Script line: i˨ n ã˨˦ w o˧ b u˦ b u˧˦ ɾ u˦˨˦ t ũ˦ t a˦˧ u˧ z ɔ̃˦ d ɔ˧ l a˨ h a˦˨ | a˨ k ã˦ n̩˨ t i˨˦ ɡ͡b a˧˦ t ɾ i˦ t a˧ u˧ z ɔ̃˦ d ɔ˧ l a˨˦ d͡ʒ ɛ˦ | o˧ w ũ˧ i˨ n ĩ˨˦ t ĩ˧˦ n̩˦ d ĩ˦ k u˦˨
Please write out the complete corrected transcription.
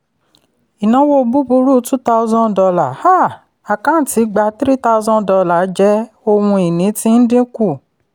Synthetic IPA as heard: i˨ n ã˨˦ w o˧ b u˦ b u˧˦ ɾ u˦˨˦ t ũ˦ t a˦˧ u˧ z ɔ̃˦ d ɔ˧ l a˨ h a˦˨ | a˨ k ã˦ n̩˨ t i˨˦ ɡ͡b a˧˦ t ɾ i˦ t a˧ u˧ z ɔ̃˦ d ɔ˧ l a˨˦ d͡ʒ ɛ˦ | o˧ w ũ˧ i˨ n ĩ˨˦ t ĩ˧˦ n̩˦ d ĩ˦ k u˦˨